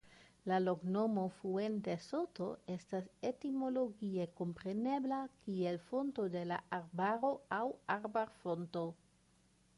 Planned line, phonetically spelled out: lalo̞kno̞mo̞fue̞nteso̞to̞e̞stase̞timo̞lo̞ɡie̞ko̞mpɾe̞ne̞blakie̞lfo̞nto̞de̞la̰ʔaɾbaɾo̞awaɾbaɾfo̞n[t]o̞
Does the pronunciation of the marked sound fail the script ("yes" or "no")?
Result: no